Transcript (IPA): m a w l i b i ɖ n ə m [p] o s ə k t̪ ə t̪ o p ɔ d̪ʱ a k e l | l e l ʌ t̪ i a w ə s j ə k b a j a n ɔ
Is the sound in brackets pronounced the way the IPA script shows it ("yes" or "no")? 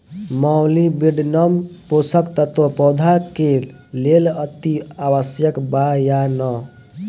yes